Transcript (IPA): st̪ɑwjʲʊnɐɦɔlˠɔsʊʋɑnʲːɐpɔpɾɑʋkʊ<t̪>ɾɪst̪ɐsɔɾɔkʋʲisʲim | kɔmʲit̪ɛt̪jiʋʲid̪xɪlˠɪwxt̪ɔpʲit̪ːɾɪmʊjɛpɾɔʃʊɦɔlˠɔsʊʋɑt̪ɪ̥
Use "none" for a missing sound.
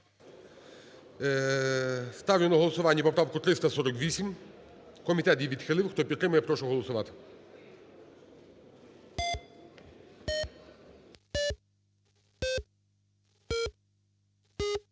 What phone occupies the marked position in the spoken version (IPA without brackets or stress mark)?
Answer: t̪